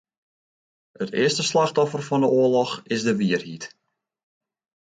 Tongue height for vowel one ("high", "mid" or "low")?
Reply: mid